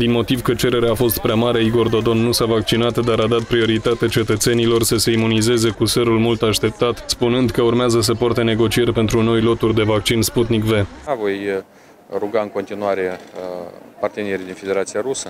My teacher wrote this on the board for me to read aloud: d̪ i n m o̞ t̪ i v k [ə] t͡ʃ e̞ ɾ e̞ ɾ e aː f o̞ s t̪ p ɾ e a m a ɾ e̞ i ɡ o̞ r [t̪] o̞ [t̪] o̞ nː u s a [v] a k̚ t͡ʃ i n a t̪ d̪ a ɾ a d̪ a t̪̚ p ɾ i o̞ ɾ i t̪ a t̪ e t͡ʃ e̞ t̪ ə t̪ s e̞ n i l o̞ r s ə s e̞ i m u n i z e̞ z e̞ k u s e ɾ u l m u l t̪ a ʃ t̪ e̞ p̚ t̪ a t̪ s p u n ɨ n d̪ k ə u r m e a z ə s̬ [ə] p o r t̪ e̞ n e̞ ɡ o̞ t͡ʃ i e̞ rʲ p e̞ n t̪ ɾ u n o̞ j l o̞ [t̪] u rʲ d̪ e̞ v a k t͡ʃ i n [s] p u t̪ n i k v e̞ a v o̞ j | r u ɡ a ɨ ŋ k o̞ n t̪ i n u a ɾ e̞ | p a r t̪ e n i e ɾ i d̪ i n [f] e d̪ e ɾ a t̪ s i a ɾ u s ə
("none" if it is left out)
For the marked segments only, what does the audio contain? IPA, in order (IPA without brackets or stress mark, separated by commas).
ə, d̪, d̪, v, ə, t̪, s, f